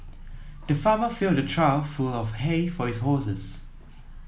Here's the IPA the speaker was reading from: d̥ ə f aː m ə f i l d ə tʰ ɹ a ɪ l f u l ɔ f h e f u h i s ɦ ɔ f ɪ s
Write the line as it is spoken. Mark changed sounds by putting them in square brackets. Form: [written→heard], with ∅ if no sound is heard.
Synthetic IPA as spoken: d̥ ə f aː m ə f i l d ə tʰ ɹ a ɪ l f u l ɔ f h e f [u→ɔ] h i s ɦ ɔ [f→s] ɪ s

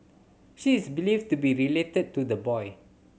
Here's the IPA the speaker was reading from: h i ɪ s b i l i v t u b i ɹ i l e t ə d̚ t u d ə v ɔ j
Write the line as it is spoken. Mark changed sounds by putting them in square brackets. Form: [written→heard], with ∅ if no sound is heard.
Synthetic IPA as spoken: [h→ʃ] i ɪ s b i l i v t u b i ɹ i l e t ə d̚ t u d ə [v→b] ɔ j

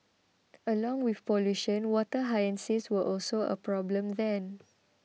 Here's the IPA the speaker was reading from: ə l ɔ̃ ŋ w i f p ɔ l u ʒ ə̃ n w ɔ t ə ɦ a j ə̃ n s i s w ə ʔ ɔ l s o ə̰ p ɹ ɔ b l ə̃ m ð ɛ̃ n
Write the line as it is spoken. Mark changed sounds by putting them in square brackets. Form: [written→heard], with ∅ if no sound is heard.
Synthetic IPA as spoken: ə l ɔ̃ ŋ w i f p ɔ l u [ʒ→ʃ] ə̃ n w ɔ t ə ɦ a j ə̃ n s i s w ə ʔ ɔ l s o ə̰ p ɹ ɔ b l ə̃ m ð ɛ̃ n

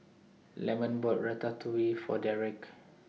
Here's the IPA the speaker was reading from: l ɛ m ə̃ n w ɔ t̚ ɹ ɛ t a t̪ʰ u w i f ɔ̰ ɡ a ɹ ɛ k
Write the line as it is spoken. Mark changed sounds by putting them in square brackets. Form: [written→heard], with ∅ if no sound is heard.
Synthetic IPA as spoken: l ɛ m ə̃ n [w→b] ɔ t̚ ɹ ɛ t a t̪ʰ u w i f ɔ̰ [ɡ→d] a ɹ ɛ k

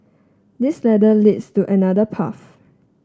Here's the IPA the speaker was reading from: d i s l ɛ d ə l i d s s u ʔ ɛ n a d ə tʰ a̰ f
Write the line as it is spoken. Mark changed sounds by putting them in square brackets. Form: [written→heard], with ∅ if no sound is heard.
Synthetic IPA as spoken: d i s l ɛ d ə l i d s [s→t] u ʔ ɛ n a d ə [tʰ→pʰ] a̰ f

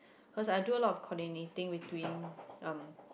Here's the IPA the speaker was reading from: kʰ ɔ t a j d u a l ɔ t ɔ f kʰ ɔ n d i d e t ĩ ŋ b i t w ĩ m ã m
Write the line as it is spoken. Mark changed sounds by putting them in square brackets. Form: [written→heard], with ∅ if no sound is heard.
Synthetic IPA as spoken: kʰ ɔ [t→s] a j d u [a→ə] l ɔ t ɔ f kʰ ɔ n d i [d→n] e t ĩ ŋ [b→w] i t w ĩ [m→n] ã m

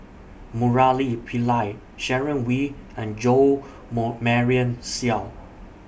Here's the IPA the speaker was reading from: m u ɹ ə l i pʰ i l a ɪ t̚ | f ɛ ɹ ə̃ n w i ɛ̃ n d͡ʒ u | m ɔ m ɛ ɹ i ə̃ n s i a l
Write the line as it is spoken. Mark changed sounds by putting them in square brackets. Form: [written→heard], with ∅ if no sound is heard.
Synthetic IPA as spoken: m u ɹ [ə→a] l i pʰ i l a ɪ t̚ | [f→ʃ] ɛ ɹ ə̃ n w i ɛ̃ n d͡ʒ [u→o] | m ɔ m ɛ ɹ i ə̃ n s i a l

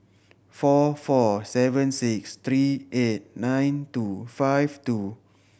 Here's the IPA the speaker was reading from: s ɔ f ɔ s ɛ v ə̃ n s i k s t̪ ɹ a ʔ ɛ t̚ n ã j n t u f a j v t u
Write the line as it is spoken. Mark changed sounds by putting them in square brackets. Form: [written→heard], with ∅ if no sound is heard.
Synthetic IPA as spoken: [s→f] ɔ f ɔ s ɛ v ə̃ n s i k s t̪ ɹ [a→i] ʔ [ɛ→e] t̚ n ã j n t u f a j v t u

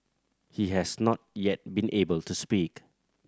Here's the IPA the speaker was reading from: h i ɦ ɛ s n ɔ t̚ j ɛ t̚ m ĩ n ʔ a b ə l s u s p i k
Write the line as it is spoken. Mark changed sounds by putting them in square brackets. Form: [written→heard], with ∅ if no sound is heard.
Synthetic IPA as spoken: h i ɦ ɛ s n ɔ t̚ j ɛ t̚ [m→b] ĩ n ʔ [a→e] b ə l [s→t] u s p i k

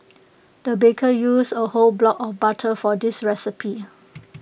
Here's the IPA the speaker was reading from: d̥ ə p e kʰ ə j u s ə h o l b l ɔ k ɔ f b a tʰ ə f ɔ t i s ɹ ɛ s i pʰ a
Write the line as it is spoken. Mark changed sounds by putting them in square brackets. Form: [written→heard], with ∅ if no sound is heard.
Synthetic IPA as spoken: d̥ ə [p→b] e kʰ ə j u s ə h o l b l ɔ k ɔ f b a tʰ ə f ɔ [t→d] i s ɹ ɛ s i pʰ [a→i]

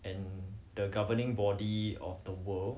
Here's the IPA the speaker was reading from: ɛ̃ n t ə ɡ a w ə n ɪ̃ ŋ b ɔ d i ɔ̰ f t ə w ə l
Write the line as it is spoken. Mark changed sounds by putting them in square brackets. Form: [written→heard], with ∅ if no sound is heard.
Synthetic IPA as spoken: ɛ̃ n [t→d] ə ɡ a [w→v] ə n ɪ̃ ŋ b ɔ d i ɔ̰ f [t→d] ə w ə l

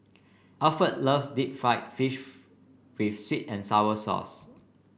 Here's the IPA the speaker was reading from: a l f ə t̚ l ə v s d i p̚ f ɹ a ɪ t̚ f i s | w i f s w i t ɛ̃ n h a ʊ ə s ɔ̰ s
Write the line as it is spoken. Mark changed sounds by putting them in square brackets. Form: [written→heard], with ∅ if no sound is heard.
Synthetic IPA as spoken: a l f ə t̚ l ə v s d i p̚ f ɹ a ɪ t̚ f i [s→ʃ] | w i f s w i t ɛ̃ n [h→s] a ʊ ə s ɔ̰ s

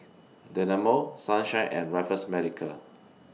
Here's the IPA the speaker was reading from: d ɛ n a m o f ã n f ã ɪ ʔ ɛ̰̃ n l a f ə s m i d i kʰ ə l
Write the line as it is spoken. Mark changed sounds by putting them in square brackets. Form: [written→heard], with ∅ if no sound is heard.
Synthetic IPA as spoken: d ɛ n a m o [f→s] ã n [f→ʃ] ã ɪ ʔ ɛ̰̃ n [l→ɹ] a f ə s m [i→ɛ] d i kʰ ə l

